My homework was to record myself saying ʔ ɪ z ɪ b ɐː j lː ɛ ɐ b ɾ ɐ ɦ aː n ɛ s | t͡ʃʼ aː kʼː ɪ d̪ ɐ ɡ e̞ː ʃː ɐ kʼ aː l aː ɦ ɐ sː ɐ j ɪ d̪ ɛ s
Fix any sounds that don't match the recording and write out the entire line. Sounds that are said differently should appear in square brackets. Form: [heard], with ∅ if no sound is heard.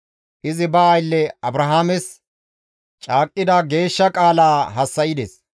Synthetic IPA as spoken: ʔ ɪ z ɪ b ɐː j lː ɛ ɐ b ɾ ɐ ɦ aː [m] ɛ s | t͡ʃʼ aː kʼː ɪ d̪ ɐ ɡ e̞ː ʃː ɐ kʼ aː l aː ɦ ɐ sː ɐ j ɪ d̪ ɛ s

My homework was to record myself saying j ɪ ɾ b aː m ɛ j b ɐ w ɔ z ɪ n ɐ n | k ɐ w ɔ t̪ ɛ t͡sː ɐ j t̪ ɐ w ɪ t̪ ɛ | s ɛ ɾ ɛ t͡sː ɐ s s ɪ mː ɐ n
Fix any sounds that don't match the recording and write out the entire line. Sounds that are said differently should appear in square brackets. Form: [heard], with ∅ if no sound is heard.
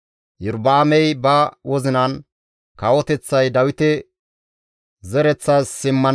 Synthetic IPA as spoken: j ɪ ɾ b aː m ɛ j b ɐ w ɔ z ɪ n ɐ n | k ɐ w ɔ t̪ ɛ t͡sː ɐ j [d̪] ɐ w ɪ t̪ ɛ | [z] ɛ ɾ ɛ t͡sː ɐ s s ɪ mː ɐ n

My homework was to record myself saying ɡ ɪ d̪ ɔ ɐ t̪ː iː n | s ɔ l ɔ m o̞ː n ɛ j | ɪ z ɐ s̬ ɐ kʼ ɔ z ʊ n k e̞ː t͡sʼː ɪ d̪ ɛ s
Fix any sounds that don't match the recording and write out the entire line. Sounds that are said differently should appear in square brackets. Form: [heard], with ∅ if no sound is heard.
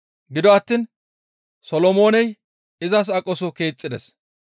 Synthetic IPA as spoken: ɡ ɪ d̪ ɔ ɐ t̪ː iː n | s ɔ l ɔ m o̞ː n ɛ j | ɪ z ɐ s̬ ɐ kʼ ɔ [s] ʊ [∅] k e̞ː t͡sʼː ɪ d̪ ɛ s

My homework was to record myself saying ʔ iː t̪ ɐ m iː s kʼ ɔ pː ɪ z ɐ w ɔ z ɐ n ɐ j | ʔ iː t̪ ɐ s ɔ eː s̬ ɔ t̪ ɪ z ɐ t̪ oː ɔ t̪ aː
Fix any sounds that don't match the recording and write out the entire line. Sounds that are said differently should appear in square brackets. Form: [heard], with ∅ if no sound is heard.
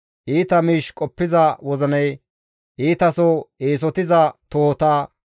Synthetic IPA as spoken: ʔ iː t̪ ɐ m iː [ʃ] kʼ ɔ pː ɪ z ɐ w ɔ z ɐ n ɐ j | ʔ iː t̪ ɐ s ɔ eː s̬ ɔ t̪ ɪ z ɐ t̪ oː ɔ t̪ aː

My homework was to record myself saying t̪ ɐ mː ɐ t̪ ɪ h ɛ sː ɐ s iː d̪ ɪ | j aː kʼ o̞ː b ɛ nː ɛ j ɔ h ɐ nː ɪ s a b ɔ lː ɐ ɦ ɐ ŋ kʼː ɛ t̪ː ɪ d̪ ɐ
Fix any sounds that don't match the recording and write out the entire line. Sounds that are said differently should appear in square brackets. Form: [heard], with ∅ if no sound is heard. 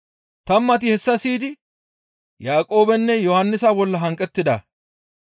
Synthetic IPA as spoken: t̪ ɐ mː ɐ t̪ ɪ h ɛ sː ɐ s iː d̪ ɪ | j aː kʼ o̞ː b ɛ nː ɛ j ɔ h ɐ nː ɪ s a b ɔ lː ɐ ɦ ɐ ŋ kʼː ɛ t̪ː ɪ d̪ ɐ

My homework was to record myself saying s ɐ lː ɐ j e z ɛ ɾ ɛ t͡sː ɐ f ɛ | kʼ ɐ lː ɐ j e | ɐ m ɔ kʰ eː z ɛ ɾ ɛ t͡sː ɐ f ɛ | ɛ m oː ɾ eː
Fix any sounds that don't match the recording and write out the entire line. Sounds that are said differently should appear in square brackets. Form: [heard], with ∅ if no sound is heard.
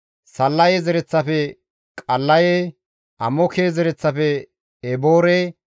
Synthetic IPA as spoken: s ɐ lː ɐ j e z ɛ ɾ ɛ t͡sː ɐ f ɛ | kʼ ɐ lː ɐ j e | ɐ m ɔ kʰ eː z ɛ ɾ ɛ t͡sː ɐ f ɛ | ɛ [b] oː ɾ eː

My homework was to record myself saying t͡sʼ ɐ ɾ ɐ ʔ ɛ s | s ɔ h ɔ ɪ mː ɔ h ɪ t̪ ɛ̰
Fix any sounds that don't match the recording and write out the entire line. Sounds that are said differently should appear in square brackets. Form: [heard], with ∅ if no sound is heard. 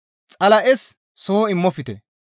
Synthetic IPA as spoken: t͡sʼ ɐ [l] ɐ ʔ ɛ s | s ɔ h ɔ ɪ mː ɔ [f] ɪ t̪ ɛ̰

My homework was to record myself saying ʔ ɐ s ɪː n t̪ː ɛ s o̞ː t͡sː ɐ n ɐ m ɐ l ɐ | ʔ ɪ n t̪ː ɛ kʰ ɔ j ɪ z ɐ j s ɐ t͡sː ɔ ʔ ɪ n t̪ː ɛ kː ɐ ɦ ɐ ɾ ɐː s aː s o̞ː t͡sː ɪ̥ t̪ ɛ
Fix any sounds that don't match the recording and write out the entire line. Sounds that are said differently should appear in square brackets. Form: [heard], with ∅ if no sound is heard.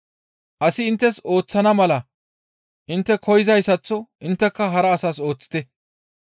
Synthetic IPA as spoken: ʔ ɐ s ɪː n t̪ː ɛ s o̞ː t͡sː ɐ n ɐ m ɐ l ɐ | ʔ ɪ n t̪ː ɛ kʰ ɔ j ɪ z ɐ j s ɐ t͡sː ɔ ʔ ɪ n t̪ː ɛ kː ɐ ɦ ɐ ɾ ɐː s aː s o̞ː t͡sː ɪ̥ t̪ ɛ

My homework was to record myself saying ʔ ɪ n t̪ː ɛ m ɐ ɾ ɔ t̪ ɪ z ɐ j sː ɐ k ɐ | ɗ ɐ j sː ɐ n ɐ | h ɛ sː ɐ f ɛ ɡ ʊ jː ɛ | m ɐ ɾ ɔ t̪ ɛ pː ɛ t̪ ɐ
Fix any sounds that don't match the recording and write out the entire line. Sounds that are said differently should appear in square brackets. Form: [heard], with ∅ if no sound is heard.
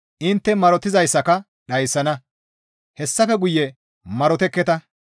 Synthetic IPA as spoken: ʔ ɪ n t̪ː ɛ m ɐ ɾ ɔ t̪ ɪ z ɐ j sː ɐ k ɐ | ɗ ɐ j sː ɐ n ɐ | h ɛ sː ɐ f ɛ ɡ ʊ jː ɛ | m ɐ ɾ ɔ t̪ ɛ [kː] ɛ t̪ ɐ

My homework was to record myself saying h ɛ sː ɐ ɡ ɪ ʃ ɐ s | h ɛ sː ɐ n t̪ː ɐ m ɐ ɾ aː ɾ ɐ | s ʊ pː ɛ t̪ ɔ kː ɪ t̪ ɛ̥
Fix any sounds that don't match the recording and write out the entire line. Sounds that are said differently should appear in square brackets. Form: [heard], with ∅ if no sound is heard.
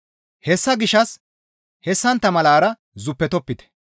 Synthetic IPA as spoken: h ɛ sː ɐ ɡ ɪ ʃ ɐ s | h ɛ sː ɐ n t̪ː ɐ m ɐ [l] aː ɾ ɐ | [z] ʊ pː ɛ t̪ ɔ [pː] ɪ t̪ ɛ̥

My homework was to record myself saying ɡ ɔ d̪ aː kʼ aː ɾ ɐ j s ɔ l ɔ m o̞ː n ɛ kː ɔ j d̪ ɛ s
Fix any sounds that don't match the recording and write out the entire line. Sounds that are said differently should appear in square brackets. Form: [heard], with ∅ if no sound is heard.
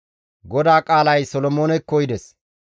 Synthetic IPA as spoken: ɡ ɔ d̪ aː kʼ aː [l] ɐ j s ɔ l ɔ m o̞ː n ɛ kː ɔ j d̪ ɛ s

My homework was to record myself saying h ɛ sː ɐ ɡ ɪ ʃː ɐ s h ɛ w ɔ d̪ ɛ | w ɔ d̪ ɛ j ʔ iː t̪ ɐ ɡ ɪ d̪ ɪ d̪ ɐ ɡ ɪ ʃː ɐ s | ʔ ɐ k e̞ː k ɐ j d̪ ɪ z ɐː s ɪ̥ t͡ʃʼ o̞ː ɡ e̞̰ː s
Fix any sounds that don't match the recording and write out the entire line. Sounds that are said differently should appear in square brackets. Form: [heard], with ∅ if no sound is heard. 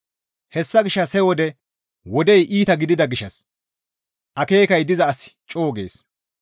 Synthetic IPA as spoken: h ɛ sː ɐ ɡ ɪ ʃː ɐ s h ɛ w ɔ d̪ ɛ | w ɔ d̪ ɛ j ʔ iː t̪ ɐ ɡ ɪ d̪ ɪ d̪ ɐ ɡ ɪ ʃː ɐ s | ʔ ɐ k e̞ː k ɐ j d̪ ɪ z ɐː s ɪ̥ t͡ʃʼ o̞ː ɡ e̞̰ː s

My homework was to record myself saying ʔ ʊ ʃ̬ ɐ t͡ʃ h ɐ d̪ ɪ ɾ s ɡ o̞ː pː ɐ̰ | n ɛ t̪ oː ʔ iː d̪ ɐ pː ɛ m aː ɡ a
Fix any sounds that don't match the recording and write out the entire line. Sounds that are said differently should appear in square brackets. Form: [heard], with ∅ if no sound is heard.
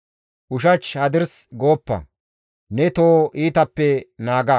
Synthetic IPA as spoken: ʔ ʊ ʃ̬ ɐ t͡ʃ h ɐ d̪ ɪ ɾ s ɡ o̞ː pː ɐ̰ | n ɛ t̪ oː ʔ iː [t̪] ɐ pː ɛ [n] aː ɡ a

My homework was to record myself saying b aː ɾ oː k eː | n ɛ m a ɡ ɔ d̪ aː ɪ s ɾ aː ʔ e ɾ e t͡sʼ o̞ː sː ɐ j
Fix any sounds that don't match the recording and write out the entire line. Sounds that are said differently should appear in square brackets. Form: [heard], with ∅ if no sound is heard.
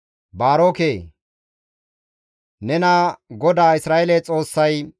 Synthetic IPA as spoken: b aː ɾ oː k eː | n ɛ [n] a ɡ ɔ d̪ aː ɪ s ɾ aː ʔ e [l] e t͡sʼ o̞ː sː ɐ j

